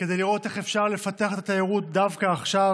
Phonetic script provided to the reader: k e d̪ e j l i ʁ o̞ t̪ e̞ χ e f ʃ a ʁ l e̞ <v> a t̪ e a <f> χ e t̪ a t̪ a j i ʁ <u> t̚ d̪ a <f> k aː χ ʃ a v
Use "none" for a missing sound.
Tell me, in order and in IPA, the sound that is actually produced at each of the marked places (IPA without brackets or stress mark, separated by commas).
f, none, u, v